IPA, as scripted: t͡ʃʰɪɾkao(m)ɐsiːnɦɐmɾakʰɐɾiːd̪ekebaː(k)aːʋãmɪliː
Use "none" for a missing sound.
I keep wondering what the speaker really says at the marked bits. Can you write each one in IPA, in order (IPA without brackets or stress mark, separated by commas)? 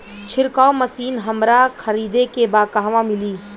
m, k